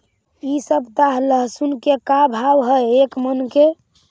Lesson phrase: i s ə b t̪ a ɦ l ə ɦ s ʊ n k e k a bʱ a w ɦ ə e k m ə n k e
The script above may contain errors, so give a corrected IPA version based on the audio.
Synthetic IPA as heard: i s ə b t̪ a ɦ l ə ɦ s u n k e k a bʱ a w ɦ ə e k m ə n k e